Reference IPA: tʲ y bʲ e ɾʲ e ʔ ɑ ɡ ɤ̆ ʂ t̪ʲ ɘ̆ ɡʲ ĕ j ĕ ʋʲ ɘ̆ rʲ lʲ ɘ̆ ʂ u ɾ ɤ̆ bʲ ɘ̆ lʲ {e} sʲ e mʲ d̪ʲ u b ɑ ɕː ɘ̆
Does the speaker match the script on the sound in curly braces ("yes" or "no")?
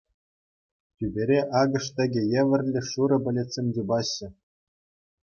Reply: yes